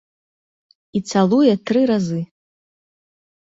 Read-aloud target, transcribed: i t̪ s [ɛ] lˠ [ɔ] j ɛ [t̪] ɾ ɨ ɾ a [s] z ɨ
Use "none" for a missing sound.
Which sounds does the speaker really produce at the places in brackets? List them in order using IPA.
a, u, t̪, none

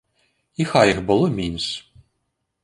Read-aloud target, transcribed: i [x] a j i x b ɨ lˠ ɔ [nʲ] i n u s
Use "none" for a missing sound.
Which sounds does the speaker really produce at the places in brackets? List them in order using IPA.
x, mʲ

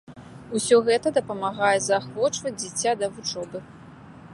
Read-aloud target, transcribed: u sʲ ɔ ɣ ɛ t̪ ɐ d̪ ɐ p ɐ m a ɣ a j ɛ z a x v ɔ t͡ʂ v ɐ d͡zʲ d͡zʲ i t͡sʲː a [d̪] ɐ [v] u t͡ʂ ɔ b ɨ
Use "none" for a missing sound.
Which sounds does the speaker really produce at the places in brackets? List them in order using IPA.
d̪, v

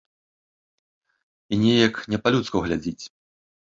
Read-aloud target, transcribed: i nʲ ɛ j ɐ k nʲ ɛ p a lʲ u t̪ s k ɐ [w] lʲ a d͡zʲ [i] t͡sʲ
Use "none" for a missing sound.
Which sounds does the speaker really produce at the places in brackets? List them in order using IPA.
ɣ, i

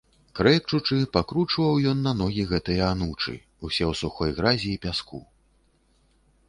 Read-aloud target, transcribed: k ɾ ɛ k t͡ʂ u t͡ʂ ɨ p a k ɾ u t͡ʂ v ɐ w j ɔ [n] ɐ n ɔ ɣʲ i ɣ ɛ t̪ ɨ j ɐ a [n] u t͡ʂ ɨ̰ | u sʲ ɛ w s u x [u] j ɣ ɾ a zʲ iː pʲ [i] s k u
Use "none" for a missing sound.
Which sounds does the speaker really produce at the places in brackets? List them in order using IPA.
nː, n, ɔ, a

